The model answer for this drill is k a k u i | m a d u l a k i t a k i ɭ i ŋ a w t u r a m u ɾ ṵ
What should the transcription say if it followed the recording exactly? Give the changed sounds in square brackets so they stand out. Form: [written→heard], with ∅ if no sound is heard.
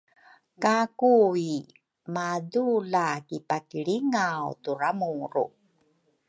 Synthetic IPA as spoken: k a k u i | m a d u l a k i [t→p] a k i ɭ i ŋ a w t u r a m u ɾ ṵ